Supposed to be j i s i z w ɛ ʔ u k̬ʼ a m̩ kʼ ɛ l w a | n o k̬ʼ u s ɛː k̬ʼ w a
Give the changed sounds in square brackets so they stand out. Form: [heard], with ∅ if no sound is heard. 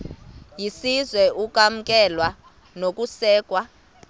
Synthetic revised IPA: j i s i z w ɛ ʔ u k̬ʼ a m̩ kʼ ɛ l w a | n o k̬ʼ u s ɛː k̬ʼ w a